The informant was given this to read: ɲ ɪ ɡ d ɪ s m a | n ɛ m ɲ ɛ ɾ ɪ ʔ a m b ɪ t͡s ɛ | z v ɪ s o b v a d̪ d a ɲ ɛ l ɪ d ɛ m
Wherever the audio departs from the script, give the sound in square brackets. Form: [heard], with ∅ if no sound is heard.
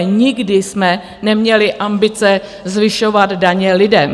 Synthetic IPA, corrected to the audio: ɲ ɪ ɡ d ɪ s m [ɛ] | n ɛ m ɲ ɛ [l] ɪ ʔ a m b ɪ t͡s ɛ | z v ɪ [ʃ] o [∅] v a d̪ d a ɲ ɛ l ɪ d ɛ m

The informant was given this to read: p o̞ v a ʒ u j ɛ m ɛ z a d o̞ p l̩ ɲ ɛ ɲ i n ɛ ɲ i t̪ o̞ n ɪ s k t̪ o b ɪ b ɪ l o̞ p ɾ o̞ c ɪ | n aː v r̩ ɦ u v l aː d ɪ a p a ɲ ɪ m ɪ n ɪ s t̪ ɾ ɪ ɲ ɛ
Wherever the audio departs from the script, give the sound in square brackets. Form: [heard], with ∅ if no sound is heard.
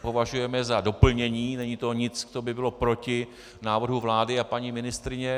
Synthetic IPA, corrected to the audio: p o̞ v a ʒ u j ɛ m ɛ z a d o̞ p l̩ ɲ ɛ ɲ [iː] n ɛ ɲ i t̪ o̞ [ɲ] ɪ [t͡s] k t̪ o b ɪ b ɪ l o̞ p ɾ o̞ c ɪ | n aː v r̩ ɦ u v l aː d ɪ a p a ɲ [i] m ɪ n ɪ s t̪ ɾ ɪ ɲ ɛ

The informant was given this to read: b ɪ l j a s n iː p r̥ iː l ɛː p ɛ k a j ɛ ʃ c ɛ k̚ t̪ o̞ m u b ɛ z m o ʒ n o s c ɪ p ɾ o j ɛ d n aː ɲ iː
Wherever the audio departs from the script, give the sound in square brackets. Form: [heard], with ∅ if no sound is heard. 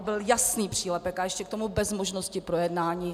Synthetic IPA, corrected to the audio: b ɪ l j a s n iː p r̥ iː l [ɛ] p ɛ k a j ɛ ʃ c ɛ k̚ t̪ o̞ m u b ɛ z m o ʒ n o s c ɪ p ɾ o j ɛ d n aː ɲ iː

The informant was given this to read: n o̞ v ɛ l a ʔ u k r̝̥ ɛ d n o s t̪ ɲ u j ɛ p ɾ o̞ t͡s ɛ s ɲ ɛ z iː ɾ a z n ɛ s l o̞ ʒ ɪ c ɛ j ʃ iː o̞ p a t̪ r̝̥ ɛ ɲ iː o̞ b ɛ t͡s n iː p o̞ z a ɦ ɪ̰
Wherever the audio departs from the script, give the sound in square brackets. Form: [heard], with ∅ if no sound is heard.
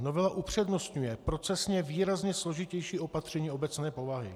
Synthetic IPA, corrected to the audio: n o̞ v ɛ l a ʔ u [p] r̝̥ ɛ d n o s t̪ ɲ u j ɛ p ɾ o̞ t͡s ɛ s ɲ ɛ [v] iː ɾ a z [ɲ] ɛ s l o̞ ʒ ɪ c ɛ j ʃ iː o̞ p a t̪ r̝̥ ɛ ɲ iː o̞ b ɛ t͡s n [ɛː] p o̞ [v] a ɦ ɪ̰

